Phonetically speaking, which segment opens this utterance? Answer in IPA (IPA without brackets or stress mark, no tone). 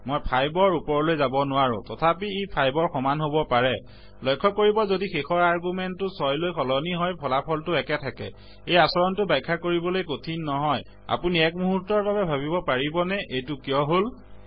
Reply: m